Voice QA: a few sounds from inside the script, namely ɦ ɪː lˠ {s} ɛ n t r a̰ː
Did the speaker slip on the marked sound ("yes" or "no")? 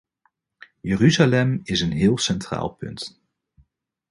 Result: no